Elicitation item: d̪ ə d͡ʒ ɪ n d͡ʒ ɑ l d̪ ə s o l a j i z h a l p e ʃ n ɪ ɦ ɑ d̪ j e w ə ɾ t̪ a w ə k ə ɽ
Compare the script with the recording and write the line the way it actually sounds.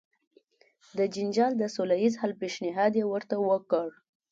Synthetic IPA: d̪ ə d͡ʒ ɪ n d͡ʒ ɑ l d̪ ə s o l a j i z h a l p e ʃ n ɪ ɦ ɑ d̪ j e w ə ɾ t̪ a w ə k ə ɽ